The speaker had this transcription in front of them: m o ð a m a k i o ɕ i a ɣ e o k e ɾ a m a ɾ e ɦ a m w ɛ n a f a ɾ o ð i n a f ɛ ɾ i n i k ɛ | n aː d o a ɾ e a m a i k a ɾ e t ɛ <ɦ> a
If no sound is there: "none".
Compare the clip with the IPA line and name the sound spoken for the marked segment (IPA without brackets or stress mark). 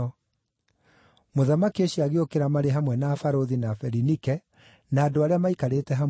ɦ